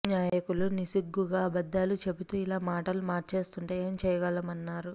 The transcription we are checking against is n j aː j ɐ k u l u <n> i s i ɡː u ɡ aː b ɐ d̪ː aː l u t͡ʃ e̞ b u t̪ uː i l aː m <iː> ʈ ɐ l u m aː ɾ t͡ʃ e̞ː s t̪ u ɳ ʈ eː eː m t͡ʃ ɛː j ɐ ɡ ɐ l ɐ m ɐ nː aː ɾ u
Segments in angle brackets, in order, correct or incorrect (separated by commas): correct, incorrect